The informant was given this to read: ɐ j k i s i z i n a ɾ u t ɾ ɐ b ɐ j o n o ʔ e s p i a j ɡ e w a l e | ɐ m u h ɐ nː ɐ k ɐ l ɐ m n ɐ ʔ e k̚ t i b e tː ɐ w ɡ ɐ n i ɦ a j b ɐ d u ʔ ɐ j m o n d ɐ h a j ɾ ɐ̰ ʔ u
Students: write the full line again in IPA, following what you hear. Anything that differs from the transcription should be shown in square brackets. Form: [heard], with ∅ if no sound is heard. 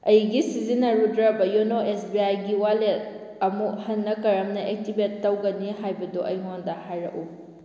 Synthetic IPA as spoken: ɐ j [ɡ] i s i z i n [ɐ] ɾ u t ɾ ɐ b ɐ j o n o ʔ e s [b] i a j ɡ [i] w a l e | ɐ m u h ɐ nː ɐ k ɐ [ɾ] ɐ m n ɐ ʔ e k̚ t i b e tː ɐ w ɡ ɐ n i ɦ a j b ɐ d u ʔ ɐ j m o n d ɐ h a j ɾ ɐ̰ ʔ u